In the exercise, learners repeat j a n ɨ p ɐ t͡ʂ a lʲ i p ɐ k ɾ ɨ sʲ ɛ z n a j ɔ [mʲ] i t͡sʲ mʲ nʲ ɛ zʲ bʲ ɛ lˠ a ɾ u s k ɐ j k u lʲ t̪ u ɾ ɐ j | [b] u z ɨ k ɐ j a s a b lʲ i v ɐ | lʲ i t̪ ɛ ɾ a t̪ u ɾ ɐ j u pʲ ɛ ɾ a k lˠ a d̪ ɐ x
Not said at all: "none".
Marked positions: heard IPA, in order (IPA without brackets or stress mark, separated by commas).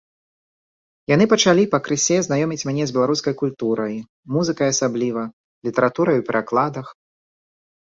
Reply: mʲ, m